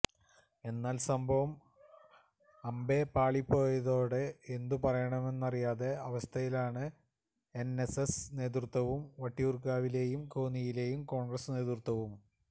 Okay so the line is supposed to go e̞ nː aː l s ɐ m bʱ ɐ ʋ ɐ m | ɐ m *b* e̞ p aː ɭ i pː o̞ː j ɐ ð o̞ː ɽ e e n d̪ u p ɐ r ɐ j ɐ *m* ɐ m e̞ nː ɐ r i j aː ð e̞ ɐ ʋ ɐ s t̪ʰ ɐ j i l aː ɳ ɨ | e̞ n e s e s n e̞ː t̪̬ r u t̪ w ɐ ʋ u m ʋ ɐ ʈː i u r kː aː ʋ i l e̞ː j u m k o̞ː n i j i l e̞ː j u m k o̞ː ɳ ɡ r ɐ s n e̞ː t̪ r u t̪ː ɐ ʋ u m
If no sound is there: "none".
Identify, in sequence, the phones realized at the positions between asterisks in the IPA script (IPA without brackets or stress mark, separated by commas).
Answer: b, ɳ